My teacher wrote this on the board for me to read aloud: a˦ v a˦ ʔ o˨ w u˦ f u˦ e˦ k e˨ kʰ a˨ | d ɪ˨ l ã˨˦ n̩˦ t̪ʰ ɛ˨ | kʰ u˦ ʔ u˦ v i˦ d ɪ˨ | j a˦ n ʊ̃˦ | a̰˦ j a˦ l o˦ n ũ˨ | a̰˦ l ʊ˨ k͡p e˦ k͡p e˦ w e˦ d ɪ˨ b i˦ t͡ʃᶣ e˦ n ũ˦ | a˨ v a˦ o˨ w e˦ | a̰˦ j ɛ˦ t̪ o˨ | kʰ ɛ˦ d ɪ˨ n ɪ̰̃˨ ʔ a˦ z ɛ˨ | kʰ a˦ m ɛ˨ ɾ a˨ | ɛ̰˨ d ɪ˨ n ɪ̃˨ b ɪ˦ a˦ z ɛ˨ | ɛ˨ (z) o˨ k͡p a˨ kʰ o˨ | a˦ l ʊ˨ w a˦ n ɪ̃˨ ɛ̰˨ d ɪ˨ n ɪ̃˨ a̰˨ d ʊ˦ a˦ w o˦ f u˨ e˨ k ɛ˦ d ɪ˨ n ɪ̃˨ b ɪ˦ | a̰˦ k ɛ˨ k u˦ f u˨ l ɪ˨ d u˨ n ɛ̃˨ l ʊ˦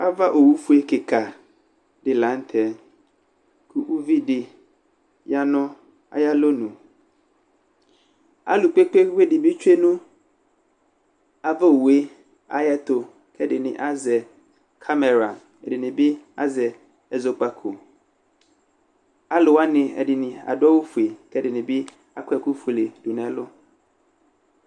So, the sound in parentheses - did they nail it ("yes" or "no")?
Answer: yes